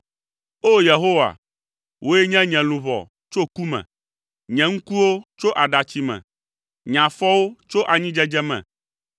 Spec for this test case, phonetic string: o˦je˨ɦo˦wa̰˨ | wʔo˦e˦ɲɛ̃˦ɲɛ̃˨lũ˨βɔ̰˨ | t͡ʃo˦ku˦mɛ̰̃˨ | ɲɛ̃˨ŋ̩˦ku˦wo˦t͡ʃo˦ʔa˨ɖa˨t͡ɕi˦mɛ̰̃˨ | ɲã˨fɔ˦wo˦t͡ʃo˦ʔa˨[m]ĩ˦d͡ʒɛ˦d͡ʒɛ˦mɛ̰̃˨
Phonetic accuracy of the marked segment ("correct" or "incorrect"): incorrect